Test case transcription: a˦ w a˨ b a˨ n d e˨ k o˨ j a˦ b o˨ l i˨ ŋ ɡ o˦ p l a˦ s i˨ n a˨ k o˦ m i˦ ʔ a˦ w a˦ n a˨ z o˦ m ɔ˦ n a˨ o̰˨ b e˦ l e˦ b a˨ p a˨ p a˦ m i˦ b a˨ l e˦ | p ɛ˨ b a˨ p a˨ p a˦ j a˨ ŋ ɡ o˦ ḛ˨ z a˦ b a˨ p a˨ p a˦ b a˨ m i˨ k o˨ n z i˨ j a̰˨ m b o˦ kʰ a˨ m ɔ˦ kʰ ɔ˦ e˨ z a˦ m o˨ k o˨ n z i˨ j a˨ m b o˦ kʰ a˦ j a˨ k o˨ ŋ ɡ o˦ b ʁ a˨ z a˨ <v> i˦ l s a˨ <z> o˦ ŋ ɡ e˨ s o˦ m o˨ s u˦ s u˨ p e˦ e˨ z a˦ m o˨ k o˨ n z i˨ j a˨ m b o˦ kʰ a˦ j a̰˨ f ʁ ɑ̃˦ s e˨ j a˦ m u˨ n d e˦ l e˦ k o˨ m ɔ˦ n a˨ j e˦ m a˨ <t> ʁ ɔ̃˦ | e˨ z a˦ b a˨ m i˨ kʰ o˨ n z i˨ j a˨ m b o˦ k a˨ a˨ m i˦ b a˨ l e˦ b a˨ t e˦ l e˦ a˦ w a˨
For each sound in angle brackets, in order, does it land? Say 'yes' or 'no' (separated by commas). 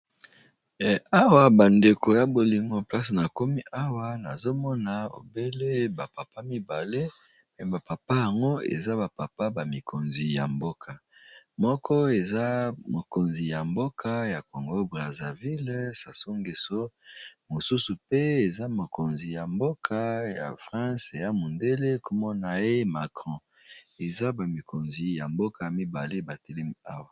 yes, no, no